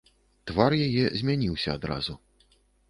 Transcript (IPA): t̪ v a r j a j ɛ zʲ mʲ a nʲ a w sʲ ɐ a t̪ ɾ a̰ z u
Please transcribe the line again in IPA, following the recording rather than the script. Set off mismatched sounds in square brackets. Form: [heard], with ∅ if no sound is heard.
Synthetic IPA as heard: t̪ v a r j a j ɛ zʲ mʲ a nʲ [i] w sʲ ɐ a [d̪] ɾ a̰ z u